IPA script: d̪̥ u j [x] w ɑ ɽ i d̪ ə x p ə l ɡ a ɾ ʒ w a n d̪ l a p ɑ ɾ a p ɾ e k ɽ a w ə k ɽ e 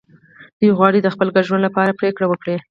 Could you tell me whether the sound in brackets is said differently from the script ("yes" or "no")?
yes